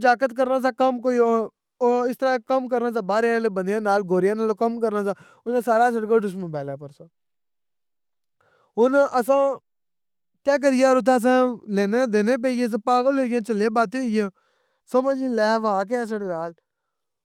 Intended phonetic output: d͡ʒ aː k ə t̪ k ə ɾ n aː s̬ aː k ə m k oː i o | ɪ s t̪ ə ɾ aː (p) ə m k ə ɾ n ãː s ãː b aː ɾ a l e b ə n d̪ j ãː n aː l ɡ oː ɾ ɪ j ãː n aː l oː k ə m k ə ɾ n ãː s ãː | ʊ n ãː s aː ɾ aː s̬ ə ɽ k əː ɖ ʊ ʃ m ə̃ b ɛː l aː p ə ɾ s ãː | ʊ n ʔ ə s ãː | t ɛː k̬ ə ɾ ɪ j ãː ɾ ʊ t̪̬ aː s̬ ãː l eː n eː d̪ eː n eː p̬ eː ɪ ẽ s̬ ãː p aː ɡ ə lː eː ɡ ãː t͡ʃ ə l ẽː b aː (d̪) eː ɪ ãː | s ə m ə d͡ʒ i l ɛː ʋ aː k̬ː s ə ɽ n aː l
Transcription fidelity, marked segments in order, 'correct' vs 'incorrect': incorrect, incorrect

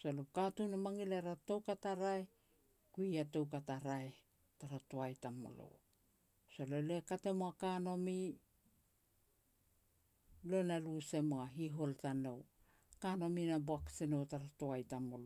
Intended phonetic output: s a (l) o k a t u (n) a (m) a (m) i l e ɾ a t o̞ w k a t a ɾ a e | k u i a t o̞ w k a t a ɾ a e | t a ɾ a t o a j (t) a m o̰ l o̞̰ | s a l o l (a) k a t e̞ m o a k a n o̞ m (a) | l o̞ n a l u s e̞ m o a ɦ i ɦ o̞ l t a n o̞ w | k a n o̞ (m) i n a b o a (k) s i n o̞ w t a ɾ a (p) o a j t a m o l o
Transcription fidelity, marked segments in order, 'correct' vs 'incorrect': correct, correct, correct, incorrect, correct, incorrect, incorrect, correct, correct, incorrect

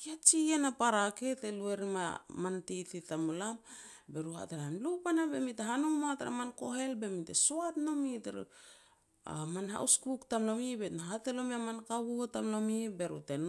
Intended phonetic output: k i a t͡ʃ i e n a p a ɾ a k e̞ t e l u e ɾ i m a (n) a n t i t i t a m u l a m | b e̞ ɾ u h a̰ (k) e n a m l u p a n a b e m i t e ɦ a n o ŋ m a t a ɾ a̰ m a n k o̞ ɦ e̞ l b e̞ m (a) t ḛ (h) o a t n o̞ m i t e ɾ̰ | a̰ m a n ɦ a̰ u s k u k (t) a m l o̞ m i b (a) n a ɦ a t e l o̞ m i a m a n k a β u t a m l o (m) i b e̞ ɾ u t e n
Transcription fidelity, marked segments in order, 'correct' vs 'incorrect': incorrect, incorrect, incorrect, incorrect, correct, incorrect, correct

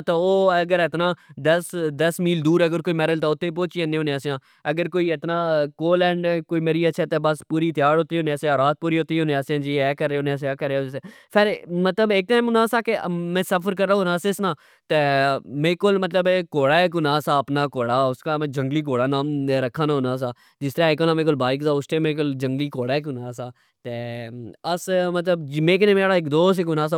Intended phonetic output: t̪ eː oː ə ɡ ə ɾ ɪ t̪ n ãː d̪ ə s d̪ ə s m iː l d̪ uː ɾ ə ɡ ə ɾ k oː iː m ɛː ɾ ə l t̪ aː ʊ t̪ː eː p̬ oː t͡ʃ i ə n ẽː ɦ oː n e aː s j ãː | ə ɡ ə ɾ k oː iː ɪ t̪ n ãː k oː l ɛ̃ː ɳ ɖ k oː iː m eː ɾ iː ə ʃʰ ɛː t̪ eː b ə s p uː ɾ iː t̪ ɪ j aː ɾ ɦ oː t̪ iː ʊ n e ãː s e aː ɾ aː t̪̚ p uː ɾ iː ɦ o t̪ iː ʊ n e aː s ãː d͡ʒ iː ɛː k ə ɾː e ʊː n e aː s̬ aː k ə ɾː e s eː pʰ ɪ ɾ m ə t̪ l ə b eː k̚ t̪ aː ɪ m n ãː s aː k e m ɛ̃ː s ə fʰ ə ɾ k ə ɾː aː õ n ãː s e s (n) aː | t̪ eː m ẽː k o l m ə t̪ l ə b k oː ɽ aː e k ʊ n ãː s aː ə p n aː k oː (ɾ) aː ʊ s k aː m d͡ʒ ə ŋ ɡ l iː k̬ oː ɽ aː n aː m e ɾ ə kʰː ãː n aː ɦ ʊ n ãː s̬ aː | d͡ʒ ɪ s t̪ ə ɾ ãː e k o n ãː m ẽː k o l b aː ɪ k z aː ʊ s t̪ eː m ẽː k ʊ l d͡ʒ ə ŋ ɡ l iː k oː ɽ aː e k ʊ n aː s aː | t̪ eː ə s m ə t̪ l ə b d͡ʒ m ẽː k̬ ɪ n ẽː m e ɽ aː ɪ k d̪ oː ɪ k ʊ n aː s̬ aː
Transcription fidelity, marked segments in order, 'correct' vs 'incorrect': correct, incorrect

